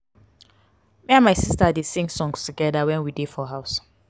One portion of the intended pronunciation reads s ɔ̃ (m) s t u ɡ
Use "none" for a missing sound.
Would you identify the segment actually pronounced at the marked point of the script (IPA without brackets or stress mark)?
ŋ